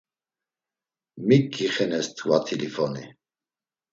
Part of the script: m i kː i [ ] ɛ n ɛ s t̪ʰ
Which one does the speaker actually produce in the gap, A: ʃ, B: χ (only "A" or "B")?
B